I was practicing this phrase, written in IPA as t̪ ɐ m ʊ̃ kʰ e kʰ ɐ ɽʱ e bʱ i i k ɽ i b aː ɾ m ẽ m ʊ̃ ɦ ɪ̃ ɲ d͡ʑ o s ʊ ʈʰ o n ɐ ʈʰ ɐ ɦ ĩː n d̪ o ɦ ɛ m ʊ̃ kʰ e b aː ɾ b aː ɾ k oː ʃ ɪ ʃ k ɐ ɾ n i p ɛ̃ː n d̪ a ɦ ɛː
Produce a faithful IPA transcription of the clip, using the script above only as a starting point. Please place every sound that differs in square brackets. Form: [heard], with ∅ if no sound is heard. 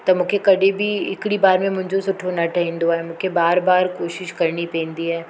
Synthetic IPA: t̪ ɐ m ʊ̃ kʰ e [k] ɐ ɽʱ e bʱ i [ɪ] k ɽ i b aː ɾ m ẽ m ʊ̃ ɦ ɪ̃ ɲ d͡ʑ o s ʊ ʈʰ o n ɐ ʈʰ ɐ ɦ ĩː n d̪ o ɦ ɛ m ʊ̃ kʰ e b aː ɾ b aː ɾ k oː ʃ ɪ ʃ k ɐ ɾ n i p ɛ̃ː n d̪ [i] ɦ ɛː